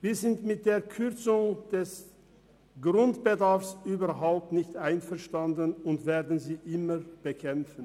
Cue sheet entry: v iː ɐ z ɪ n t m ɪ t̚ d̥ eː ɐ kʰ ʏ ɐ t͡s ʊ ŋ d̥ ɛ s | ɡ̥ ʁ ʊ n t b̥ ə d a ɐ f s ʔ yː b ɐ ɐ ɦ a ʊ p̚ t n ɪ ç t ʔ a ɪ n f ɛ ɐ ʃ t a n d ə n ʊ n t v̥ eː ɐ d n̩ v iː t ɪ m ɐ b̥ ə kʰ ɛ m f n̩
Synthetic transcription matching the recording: v iː ɐ z ɪ n t m ɪ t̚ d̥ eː ɐ kʰ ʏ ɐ t͡s ʊ ŋ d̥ ɛ s | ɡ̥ ʁ ʊ n t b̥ ə d a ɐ f s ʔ yː b ɐ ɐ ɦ a ʊ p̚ t n ɪ ç t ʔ a ɪ n f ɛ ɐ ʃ t a n d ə n ʊ n t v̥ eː ɐ d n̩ z iː ʔ ɪ m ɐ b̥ ə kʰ ɛ m f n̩